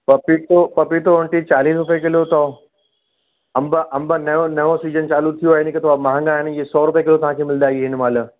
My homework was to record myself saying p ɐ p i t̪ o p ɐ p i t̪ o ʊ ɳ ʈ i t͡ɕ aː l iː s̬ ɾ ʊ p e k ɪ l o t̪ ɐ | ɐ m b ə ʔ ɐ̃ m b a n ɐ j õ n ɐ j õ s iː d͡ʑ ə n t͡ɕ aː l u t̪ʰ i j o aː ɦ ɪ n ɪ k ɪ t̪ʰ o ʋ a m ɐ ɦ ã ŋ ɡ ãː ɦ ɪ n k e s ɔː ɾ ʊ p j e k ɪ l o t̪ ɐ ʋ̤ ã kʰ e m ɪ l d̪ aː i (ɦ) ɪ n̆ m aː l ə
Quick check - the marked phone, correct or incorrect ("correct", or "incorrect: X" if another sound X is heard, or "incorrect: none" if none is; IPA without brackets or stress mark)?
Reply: correct